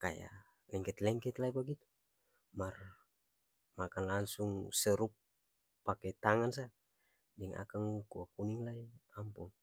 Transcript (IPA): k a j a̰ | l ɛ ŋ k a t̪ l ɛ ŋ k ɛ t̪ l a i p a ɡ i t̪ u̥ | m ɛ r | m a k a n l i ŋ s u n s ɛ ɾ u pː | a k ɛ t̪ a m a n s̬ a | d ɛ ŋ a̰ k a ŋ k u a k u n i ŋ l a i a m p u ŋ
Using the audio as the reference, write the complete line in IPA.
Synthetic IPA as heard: k a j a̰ | l ɛ ŋ k ɛ t̪ l ɛ ŋ k ɛ t̪ l a i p a ɡ i t̪ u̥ | m a r | m a k a n l a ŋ s u ŋ s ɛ ɾ u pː | a k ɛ t̪ a ŋ a n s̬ a | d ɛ ŋ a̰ k a ŋ k u a k u n i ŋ l a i a m p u ŋ